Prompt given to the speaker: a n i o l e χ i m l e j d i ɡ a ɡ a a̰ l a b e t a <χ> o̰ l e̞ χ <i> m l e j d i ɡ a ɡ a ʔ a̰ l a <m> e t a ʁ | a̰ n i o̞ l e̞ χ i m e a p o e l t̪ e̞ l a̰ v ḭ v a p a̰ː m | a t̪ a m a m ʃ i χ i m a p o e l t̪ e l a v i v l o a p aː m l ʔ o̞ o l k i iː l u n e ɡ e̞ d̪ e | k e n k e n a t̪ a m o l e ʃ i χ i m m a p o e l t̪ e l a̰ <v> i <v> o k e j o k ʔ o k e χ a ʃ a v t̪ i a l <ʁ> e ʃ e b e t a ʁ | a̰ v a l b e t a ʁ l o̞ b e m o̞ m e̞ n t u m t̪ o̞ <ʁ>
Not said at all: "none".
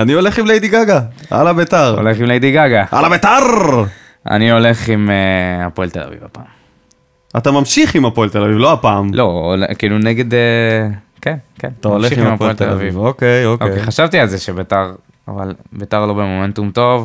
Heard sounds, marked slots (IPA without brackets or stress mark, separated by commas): ʁ, i, b, v, v, z, v